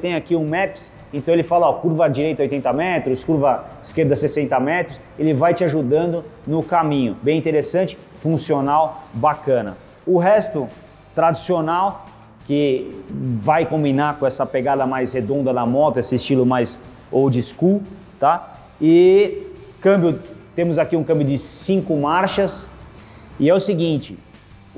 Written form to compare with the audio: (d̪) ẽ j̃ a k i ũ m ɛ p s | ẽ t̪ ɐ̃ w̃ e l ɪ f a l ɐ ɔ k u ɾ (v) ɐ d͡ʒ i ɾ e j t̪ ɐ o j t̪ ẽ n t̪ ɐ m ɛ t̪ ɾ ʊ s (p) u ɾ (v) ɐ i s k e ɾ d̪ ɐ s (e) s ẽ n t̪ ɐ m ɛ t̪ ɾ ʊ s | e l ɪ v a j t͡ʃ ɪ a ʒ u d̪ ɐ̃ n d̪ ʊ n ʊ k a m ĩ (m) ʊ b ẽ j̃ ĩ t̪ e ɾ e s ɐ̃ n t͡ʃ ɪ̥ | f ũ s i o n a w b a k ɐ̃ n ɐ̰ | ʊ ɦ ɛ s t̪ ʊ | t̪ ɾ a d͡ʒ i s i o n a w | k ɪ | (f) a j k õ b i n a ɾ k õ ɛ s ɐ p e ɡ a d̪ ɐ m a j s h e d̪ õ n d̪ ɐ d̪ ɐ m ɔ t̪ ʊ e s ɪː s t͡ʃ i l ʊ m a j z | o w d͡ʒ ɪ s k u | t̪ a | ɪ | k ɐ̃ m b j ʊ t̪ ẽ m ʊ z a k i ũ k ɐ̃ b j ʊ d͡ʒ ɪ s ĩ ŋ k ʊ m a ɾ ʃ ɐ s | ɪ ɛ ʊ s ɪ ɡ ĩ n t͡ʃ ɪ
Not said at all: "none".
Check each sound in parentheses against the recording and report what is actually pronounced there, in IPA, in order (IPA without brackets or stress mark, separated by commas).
t̪, v, k, v, e, ɲ, v